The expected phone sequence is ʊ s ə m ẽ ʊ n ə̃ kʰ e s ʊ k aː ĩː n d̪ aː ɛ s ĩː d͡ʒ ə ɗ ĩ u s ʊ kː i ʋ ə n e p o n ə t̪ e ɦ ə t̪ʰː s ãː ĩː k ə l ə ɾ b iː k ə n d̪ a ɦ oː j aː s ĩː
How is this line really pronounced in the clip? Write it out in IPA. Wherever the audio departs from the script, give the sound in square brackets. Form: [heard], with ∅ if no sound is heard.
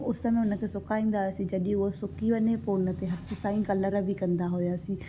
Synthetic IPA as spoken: ʊ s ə m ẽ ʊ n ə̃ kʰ e s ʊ k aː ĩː n d̪ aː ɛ s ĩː d͡ʒ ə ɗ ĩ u s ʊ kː i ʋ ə n e p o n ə t̪ e ɦ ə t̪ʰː s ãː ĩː k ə l ə ɾ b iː k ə n d̪ a ɦ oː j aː s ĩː